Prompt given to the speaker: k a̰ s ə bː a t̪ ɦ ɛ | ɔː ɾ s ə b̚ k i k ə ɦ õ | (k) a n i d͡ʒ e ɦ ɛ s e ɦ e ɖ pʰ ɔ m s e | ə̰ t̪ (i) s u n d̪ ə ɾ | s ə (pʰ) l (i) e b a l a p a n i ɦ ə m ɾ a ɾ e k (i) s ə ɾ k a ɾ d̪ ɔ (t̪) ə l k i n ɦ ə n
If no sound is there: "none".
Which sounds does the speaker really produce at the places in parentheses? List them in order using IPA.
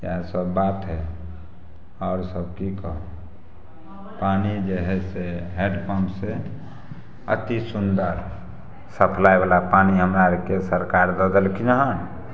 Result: p, i, pʰ, a, e, d̪

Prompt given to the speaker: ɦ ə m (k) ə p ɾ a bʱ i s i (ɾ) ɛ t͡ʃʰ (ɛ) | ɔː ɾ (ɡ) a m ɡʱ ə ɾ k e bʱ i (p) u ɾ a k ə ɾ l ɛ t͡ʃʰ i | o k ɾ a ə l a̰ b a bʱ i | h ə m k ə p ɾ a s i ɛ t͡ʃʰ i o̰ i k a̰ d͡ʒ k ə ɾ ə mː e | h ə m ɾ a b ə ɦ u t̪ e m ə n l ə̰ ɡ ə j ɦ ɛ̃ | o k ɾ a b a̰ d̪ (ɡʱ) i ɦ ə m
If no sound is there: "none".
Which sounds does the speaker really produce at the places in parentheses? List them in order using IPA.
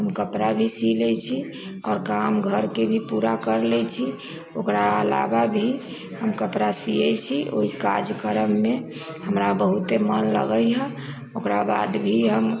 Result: k, l, i, k, p, bʱ

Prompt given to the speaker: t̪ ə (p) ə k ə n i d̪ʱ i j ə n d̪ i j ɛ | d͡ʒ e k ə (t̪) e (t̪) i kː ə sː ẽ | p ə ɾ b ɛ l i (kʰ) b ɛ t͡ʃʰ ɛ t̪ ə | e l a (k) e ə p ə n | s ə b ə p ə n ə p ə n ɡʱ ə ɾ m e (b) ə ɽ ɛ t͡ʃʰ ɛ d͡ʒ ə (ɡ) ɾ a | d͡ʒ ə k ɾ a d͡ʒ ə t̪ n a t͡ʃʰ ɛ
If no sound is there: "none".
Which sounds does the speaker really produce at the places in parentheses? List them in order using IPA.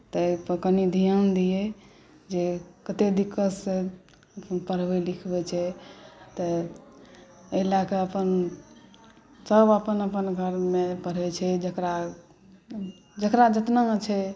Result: p, t̪, d̪, kʰ, k, p, k

